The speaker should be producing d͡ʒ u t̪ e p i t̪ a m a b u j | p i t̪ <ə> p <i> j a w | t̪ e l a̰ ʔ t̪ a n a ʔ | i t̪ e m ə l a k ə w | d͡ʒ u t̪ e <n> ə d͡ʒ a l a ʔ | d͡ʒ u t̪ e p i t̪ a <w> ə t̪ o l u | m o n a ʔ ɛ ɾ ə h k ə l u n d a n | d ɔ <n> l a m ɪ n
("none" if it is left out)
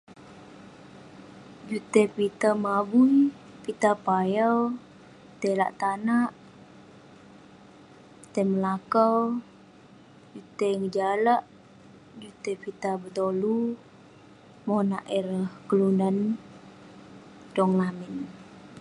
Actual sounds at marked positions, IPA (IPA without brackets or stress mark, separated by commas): a, a, ŋ, b, ŋ